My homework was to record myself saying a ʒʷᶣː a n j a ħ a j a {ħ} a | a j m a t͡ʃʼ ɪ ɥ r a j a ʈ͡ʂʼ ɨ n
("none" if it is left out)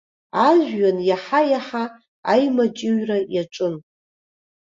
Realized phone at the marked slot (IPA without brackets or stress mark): ħ